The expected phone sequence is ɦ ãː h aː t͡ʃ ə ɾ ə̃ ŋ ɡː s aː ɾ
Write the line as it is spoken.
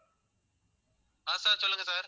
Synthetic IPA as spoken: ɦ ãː s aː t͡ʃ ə l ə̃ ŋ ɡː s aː ɾ